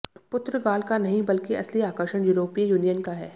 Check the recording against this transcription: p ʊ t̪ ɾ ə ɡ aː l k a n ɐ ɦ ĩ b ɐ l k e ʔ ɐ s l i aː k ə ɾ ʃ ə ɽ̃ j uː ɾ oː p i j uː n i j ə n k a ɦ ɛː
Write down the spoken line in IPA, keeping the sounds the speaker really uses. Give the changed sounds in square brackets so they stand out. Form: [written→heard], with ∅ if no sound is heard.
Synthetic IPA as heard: p ʊ t̪ ɾ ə ɡ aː l k a n ɐ ɦ ĩ b ɐ l k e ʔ ɐ s l i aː k ə ɾ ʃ ə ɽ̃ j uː ɾ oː p i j uː n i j ə n k a ɦ ɛː